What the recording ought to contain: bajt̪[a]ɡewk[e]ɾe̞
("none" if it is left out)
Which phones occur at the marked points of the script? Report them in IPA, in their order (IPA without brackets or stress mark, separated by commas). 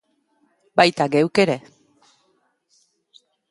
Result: a, e